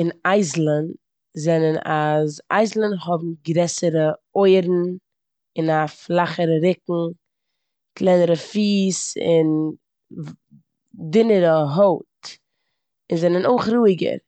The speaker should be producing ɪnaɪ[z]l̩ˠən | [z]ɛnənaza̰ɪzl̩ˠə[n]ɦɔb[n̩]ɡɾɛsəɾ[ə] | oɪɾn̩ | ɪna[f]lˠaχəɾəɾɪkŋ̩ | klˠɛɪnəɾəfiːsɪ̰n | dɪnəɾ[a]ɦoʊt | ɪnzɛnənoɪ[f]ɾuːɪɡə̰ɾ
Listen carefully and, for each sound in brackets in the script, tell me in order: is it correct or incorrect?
correct, correct, correct, incorrect: m̩, correct, correct, incorrect: ə, incorrect: χ

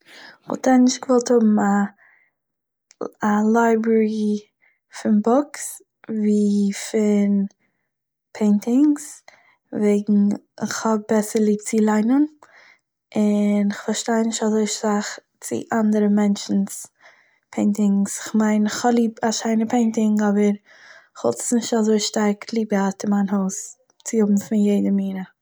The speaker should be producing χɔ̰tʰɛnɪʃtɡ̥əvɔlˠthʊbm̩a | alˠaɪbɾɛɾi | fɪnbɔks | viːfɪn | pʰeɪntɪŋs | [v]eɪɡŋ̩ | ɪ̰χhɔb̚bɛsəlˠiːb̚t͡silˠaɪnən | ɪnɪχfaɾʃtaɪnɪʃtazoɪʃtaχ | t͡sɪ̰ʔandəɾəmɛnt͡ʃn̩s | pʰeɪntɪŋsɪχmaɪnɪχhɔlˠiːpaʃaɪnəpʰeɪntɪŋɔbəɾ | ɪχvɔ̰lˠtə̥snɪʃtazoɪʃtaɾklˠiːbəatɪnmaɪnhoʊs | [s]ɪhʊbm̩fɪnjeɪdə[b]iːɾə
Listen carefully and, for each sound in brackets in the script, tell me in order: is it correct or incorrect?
correct, incorrect: t͡s, incorrect: m

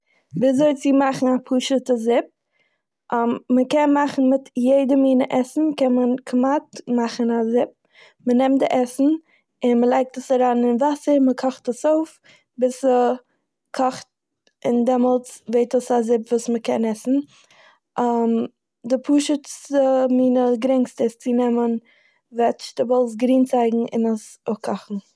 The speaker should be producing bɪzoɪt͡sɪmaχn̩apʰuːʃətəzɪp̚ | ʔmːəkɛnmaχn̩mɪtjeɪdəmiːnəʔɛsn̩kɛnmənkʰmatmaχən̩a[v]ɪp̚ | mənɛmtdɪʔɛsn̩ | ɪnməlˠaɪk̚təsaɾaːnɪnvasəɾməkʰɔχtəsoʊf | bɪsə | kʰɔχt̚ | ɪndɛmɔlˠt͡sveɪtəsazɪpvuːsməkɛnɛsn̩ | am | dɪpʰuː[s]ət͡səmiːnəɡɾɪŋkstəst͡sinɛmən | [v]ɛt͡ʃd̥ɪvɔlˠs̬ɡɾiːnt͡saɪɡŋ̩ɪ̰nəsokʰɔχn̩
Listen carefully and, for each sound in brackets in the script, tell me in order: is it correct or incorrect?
incorrect: z, incorrect: ʃ, correct

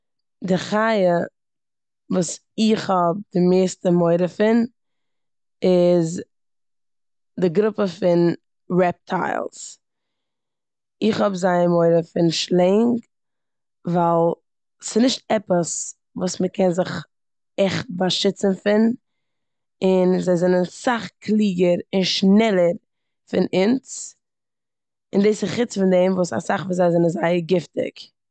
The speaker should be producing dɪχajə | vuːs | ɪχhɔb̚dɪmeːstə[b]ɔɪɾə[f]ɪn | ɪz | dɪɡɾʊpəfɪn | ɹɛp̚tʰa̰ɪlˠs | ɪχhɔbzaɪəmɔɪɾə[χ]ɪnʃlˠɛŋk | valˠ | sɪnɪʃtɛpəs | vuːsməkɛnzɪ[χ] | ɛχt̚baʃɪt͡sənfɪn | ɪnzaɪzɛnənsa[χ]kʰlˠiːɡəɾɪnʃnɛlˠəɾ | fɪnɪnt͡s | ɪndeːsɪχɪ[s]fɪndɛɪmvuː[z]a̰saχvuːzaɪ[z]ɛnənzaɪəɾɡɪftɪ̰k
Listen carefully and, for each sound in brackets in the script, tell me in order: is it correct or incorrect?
incorrect: m, correct, incorrect: f, correct, correct, incorrect: t͡s, incorrect: s, correct

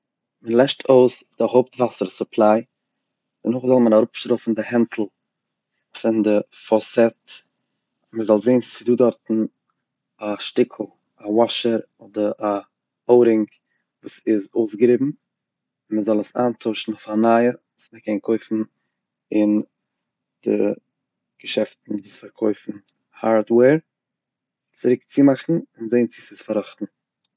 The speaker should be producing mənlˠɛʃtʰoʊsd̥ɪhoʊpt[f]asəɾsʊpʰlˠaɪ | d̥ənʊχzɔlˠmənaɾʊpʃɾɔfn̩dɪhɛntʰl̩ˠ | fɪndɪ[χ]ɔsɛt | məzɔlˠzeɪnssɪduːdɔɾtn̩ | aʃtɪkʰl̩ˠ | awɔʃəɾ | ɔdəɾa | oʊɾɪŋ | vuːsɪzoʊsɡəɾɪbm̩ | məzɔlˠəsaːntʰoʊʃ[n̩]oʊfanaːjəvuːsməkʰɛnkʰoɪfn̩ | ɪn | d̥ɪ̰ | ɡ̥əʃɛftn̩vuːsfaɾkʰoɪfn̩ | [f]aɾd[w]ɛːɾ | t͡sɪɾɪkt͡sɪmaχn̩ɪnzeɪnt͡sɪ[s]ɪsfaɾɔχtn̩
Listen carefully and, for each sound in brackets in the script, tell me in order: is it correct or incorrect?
incorrect: v, incorrect: f, correct, incorrect: h, correct, correct

